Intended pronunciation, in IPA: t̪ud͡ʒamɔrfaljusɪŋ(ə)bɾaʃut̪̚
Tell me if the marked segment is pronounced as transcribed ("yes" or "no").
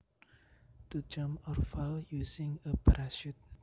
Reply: yes